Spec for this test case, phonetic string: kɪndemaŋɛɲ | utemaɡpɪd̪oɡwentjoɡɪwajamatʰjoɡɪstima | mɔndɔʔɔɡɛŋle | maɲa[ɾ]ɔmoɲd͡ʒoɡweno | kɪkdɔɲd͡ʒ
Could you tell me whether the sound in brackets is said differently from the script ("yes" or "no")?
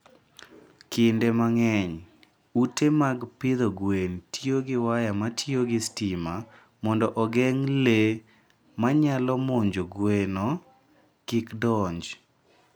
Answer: yes